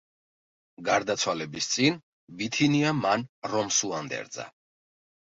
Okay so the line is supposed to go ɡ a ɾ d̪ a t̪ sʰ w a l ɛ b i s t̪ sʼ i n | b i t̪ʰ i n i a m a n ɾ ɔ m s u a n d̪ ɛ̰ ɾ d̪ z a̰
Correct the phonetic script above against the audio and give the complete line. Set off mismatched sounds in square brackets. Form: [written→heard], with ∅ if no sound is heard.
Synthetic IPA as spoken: ɡ a ɾ d̪ a t̪ sʰ w a l ɛ b i s t̪ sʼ i n | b i t̪ʰ i n i a m a n ɾ ɔ m s u a n d̪ ɛ̰ ɾ d̪ z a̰

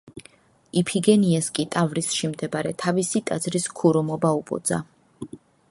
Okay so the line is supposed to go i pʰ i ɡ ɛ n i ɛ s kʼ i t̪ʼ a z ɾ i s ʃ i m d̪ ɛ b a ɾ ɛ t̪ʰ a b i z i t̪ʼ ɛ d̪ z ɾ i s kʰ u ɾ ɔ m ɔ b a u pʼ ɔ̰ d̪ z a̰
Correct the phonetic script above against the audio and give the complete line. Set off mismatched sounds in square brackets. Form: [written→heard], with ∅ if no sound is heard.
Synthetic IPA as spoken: i pʰ i ɡ ɛ n i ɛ s kʼ i t̪ʼ a [z→v] ɾ i s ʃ i m d̪ ɛ b a ɾ ɛ t̪ʰ a [b→v] i [z→s] i t̪ʼ [ɛ→a] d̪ z ɾ i s kʰ u ɾ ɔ m ɔ b a u pʼ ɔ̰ d̪ z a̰

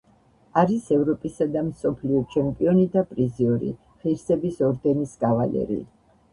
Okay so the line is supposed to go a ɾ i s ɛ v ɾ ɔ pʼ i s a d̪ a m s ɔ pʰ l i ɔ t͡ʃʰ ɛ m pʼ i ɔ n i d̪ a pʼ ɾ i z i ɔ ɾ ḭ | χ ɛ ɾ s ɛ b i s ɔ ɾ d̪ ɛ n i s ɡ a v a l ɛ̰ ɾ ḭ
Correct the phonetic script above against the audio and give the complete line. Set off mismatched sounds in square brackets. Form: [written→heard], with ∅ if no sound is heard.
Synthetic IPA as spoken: a ɾ i s ɛ v ɾ ɔ pʼ i s a d̪ a m s ɔ pʰ l i ɔ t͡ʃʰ ɛ m pʼ i ɔ n i d̪ a pʼ ɾ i z i ɔ ɾ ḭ | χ [ɛ→i] ɾ s ɛ b i s ɔ ɾ d̪ ɛ n i s ɡ a v a l ɛ̰ ɾ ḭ

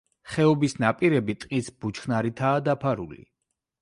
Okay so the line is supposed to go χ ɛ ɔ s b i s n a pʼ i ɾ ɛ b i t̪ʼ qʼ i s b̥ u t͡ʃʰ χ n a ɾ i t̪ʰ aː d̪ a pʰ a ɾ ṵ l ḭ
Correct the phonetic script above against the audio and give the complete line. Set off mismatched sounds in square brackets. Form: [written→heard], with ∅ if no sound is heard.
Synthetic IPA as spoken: χ ɛ ɔ [s→∅] b i s n a pʼ i ɾ ɛ b i t̪ʼ qʼ i s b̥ u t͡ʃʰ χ n a ɾ i t̪ʰ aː d̪ a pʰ a ɾ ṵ l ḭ

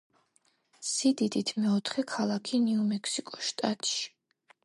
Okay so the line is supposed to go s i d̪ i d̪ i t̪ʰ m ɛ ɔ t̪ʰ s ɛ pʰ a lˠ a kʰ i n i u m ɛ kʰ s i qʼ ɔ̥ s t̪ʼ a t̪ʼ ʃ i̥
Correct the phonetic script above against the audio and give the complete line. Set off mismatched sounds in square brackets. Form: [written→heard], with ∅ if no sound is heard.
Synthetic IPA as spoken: s i d̪ i d̪ i t̪ʰ m ɛ ɔ t̪ʰ [s→χ] ɛ [pʰ→kʰ] a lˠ a kʰ i n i u m ɛ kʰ s i [qʼ→kʼ] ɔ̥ [s→ʃ] t̪ʼ a t̪ʼ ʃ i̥

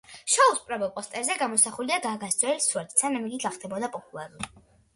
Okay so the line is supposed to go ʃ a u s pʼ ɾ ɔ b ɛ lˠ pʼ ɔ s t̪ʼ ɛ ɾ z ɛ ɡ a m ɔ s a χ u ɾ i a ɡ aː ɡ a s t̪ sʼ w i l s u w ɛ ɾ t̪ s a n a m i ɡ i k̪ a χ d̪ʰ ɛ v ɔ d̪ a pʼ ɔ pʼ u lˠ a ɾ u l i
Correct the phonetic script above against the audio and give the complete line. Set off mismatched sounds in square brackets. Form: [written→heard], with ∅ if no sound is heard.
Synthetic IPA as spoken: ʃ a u s pʼ ɾ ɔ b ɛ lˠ pʼ ɔ s t̪ʼ ɛ ɾ z ɛ ɡ a m ɔ s a χ u [ɾ→l] i a ɡ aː ɡ a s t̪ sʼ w [i→ɛ] l s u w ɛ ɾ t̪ s a n a m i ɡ i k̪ a χ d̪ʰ ɛ [v→b] ɔ d̪ a pʼ ɔ pʼ u lˠ a ɾ u l i

